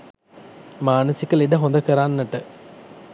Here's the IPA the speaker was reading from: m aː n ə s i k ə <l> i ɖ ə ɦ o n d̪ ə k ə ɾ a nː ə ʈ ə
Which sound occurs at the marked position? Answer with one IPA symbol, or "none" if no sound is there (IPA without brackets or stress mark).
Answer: l